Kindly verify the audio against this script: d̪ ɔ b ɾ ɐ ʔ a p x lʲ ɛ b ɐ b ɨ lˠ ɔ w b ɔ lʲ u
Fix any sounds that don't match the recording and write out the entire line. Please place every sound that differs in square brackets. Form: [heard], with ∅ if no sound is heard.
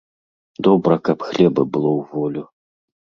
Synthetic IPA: d̪ ɔ b ɾ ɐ [k] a p x lʲ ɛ b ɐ b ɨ lˠ ɔ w [v] ɔ lʲ u